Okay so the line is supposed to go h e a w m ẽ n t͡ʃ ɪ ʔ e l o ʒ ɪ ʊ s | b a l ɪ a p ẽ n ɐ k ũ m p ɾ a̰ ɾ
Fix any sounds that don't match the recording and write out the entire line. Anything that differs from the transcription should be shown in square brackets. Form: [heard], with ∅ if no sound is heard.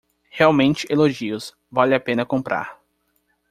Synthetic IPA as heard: h e a w m ẽ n t͡ʃ ɪ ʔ e l o ʒ [i] ʊ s | [v] a l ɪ a p ẽ n ɐ k [õ] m p ɾ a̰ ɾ